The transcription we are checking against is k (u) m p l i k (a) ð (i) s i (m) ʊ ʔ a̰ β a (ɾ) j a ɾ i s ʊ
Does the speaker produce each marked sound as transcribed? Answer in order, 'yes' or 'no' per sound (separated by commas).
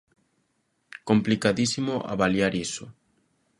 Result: no, yes, yes, yes, no